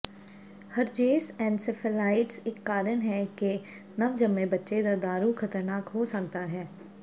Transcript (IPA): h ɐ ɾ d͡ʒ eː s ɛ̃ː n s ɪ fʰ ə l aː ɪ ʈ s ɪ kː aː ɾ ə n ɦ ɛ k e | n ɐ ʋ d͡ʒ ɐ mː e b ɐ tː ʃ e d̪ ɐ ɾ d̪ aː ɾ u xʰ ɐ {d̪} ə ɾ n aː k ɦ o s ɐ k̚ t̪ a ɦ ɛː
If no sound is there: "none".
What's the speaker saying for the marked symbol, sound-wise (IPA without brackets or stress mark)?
t̪